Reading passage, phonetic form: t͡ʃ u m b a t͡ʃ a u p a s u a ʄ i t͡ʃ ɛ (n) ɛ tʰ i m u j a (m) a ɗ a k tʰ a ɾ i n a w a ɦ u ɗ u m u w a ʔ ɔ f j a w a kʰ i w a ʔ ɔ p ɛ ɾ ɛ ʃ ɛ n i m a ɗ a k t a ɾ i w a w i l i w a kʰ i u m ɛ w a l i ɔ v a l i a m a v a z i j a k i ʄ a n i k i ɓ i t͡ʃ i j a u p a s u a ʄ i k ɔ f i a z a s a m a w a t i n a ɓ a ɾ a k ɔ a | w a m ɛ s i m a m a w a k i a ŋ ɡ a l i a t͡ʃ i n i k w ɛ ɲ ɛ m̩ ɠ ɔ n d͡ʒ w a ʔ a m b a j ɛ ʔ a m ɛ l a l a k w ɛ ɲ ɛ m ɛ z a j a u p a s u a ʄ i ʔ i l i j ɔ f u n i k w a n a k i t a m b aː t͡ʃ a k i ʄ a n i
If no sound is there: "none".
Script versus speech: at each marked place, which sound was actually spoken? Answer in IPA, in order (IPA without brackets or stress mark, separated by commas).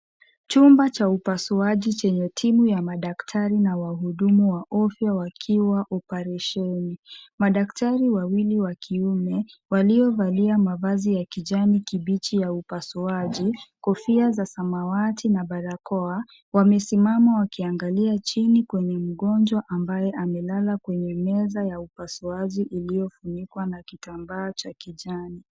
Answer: ɲ, m